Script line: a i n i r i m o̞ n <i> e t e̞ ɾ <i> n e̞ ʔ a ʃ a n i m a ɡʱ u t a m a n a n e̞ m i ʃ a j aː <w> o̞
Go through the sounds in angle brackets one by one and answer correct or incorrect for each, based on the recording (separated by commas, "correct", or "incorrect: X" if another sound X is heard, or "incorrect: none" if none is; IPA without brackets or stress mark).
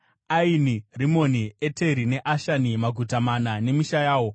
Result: correct, correct, correct